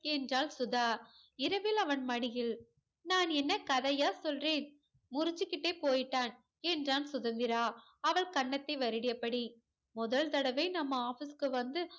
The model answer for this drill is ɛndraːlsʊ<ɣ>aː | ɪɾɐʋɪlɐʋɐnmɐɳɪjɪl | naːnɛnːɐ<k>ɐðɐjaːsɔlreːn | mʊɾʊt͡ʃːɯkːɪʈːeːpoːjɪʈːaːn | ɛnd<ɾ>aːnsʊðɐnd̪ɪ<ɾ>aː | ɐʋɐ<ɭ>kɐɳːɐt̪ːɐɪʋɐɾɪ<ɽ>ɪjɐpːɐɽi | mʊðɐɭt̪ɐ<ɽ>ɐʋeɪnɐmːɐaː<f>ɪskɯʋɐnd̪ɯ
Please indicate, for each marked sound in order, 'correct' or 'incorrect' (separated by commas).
incorrect, correct, incorrect, correct, correct, correct, correct, correct